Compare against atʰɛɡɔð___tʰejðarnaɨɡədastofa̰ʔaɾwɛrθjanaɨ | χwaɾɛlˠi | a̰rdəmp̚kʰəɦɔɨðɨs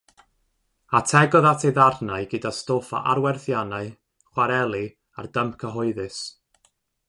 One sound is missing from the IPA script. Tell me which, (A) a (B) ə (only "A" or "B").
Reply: A